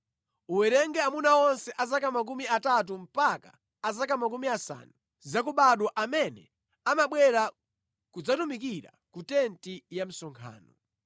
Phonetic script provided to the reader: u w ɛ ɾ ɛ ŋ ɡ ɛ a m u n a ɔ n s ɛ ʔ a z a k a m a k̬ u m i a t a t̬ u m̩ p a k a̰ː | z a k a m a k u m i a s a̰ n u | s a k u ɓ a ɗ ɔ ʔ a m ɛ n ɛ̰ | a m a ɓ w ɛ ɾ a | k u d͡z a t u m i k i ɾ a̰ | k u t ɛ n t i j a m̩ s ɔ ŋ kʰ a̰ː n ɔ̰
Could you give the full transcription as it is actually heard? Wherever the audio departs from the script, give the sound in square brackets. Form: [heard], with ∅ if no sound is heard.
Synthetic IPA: u w ɛ ɾ ɛ ŋ ɡ ɛ a m u n a ɔ n s ɛ ʔ a z a k a m a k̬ u m i a t a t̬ u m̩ p a k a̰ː | z a k a m a k u m i a s a̰ n u | [z] a k u ɓ a ɗ ɔ ʔ a m ɛ n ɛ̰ | a m a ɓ w ɛ ɾ a | k u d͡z a t u m i k i ɾ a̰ | k u t ɛ n t i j a m̩ s ɔ ŋ kʰ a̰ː n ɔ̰